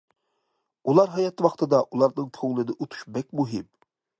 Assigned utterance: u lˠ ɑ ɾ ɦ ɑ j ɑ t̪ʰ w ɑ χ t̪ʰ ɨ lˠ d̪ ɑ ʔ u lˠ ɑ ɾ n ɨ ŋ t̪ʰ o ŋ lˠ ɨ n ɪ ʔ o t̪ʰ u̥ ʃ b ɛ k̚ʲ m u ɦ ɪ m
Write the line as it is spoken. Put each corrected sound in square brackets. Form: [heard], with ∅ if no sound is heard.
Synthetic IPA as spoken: u lˠ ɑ ɾ ɦ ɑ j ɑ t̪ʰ w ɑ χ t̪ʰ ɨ [∅] d̪ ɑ ʔ u lˠ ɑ ɾ n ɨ ŋ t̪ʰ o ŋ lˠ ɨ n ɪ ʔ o t̪ʰ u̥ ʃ b ɛ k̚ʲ m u ɦ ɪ m